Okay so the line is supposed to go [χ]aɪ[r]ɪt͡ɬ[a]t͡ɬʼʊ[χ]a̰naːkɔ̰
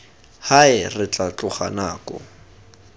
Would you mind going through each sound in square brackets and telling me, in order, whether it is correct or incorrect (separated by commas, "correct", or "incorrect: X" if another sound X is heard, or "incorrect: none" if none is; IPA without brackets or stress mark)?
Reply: incorrect: h, correct, correct, correct